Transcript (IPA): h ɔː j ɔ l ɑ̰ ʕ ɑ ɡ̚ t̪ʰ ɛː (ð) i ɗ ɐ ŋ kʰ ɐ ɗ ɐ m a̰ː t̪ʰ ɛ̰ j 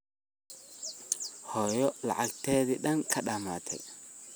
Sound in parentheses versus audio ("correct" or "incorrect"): correct